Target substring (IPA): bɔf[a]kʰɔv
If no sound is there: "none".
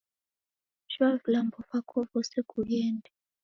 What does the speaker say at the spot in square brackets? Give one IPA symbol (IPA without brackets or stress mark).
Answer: a